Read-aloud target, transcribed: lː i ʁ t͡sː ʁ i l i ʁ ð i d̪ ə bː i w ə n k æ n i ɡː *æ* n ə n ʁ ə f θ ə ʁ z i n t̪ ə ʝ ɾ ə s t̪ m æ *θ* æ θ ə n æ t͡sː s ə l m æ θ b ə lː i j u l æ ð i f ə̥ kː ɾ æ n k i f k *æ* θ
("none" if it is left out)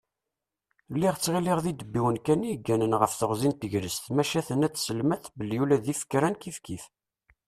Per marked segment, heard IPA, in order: æ, ʃ, i

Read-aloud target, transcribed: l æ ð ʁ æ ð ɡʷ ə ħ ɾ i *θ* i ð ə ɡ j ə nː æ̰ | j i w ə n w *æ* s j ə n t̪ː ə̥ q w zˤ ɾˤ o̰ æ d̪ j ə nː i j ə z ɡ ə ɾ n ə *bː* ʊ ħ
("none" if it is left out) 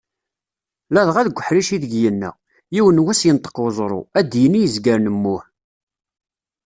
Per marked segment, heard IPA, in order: ʃ, æ, mː

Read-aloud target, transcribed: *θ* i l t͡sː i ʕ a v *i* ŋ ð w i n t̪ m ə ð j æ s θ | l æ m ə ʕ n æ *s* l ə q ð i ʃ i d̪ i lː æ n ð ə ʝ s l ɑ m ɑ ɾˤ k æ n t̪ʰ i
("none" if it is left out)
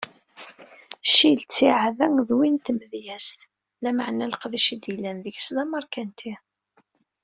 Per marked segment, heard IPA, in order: ʃ, æ, none

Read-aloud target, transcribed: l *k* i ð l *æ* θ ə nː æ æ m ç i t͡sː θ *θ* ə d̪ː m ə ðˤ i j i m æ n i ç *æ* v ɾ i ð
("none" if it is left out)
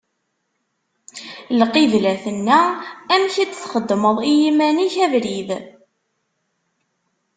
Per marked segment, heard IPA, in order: q, æ, χ, æ

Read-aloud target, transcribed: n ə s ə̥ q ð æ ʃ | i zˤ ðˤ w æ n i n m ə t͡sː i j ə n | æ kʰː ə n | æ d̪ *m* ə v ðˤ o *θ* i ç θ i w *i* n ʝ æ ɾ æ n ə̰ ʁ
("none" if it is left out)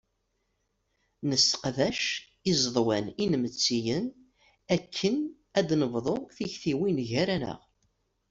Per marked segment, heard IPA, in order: n, θ, i

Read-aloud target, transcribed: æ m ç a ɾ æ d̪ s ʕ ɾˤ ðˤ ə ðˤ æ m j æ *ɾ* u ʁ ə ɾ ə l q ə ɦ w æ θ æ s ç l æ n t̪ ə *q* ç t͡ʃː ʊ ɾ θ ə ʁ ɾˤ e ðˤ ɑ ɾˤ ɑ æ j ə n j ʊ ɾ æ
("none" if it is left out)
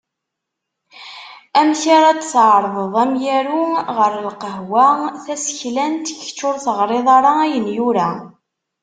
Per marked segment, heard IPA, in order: ɾ, none

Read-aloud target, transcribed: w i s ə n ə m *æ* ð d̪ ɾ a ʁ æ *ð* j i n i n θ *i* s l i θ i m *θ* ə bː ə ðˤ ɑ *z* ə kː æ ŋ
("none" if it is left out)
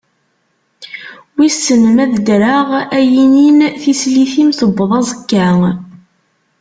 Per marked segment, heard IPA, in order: æ, none, i, θ, z

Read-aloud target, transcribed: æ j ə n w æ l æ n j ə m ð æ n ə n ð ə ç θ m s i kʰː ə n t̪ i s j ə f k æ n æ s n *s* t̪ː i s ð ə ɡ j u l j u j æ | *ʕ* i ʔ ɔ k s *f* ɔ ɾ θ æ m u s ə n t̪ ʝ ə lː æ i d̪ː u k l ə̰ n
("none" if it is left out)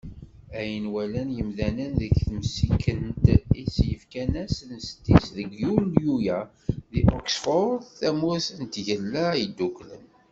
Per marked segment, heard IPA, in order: s, ð, f

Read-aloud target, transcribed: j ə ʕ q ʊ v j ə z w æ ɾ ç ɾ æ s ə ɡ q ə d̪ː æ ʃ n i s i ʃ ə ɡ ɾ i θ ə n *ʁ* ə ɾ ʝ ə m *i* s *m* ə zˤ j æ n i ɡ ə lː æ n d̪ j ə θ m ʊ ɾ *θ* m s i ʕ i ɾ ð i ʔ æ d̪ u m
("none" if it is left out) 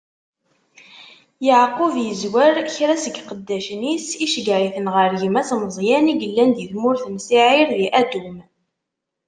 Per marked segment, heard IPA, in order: ʁ, æ, m, θ

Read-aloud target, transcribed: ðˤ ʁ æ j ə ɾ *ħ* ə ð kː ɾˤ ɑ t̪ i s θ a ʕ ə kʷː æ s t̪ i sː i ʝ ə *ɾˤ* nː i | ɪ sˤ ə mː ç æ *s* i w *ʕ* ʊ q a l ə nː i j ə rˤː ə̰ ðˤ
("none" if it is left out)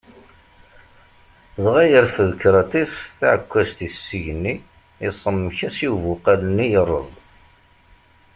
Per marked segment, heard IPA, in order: f, none, s, v

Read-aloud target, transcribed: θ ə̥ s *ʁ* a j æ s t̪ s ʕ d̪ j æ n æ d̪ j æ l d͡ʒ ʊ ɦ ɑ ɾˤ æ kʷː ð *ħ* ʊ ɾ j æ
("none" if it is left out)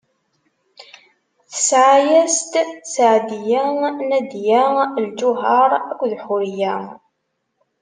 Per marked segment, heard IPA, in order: ʕ, ħ

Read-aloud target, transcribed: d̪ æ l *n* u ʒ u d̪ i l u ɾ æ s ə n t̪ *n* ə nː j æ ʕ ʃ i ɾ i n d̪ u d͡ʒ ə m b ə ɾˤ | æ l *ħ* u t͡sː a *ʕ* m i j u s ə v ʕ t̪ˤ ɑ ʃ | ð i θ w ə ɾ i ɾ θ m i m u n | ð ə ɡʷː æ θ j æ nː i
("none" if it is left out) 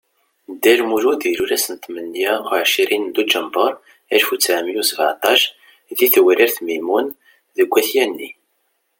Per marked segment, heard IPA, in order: m, m, f, ʕ

